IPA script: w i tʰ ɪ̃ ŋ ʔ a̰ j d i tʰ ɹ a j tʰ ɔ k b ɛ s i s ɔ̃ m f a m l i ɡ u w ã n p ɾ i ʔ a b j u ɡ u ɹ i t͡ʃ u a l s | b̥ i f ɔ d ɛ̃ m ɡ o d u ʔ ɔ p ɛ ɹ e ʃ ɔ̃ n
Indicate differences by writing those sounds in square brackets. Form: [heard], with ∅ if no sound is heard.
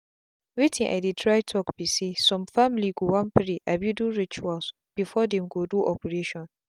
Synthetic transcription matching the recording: w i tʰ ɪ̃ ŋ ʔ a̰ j d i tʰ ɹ a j tʰ ɔ k b [i] s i s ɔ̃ m f a m l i ɡ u w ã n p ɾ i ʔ a b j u [d] u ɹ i t͡ʃ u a l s | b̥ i f ɔ d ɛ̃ m ɡ o d u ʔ ɔ p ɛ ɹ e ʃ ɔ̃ n